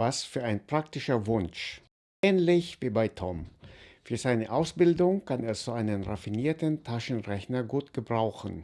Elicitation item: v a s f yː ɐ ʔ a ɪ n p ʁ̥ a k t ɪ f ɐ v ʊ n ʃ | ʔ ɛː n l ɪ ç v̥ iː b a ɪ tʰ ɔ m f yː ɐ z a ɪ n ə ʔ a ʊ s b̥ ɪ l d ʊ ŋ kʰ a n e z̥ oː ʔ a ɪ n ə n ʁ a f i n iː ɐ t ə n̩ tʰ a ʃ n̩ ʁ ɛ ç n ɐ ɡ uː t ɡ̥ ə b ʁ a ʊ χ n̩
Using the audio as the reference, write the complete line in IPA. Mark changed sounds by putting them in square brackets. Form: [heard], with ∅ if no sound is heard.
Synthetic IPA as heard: v a s f yː ɐ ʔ a ɪ n p ʁ̥ a k t ɪ [ʃ] ɐ v ʊ n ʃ | ʔ ɛː n l ɪ ç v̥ iː b a ɪ tʰ ɔ m f yː ɐ z a ɪ n ə ʔ a ʊ s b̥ ɪ l d ʊ ŋ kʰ a n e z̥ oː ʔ a ɪ n ə n ʁ a f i n iː ɐ t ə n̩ tʰ a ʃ n̩ ʁ ɛ ç n ɐ ɡ uː t ɡ̥ ə b ʁ a ʊ [x] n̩

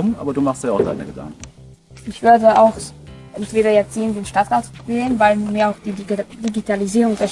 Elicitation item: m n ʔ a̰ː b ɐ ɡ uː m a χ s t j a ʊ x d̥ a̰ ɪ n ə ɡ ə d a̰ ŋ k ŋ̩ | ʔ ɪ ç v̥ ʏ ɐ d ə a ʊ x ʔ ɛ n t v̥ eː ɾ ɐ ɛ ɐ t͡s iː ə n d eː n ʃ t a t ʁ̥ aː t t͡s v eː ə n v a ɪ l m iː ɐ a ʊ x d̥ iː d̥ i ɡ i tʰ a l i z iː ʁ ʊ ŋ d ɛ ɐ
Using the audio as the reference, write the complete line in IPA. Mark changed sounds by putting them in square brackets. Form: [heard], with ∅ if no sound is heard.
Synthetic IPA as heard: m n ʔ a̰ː b ɐ [d] uː m a χ s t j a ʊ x d̥ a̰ ɪ n ə ɡ ə d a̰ ŋ k ŋ̩ | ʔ ɪ ç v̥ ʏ ɐ d ə a ʊ x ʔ ɛ n t v̥ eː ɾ ɐ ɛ ɐ t͡s iː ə n d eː n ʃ t a t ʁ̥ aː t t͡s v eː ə n v a ɪ l m iː ɐ a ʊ x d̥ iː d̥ i ɡ i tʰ a l i z iː ʁ ʊ ŋ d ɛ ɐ

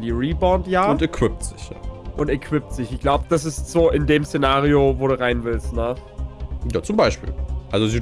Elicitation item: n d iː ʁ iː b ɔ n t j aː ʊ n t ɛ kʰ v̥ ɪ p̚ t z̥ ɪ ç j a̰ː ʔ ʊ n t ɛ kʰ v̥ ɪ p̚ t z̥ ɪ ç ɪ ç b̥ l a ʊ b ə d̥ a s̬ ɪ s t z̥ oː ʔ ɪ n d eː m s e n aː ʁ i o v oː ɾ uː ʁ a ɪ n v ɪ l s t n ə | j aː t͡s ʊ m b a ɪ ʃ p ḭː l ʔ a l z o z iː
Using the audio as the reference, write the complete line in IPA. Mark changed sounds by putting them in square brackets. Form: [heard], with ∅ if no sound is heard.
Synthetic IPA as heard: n d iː ʁ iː b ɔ n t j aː ʊ n t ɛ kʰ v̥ ɪ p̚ t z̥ ɪ ç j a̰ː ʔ ʊ n t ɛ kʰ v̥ ɪ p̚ t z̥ ɪ ç ɪ ç [ɡ̥] l a ʊ b ə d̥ a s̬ ɪ s t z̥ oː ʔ ɪ n d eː m s e n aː ʁ i o v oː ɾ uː ʁ a ɪ n v ɪ l s t n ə | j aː t͡s ʊ m b a ɪ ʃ p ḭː l ʔ a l z o z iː

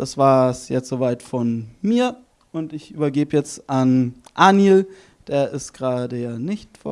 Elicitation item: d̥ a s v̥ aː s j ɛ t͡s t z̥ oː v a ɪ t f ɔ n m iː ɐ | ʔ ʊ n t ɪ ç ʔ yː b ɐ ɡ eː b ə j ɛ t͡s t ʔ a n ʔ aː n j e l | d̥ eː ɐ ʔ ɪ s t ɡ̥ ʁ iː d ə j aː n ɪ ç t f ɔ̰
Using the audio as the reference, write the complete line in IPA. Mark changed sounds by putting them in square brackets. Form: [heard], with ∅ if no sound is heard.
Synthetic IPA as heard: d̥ a s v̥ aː s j ɛ t͡s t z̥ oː v a ɪ t f ɔ n m iː ɐ | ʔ ʊ n t ɪ ç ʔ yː b ɐ ɡ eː b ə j ɛ t͡s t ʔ a n ʔ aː n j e l | d̥ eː ɐ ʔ ɪ s t ɡ̥ ʁ [aː] d ə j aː n ɪ ç t f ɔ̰

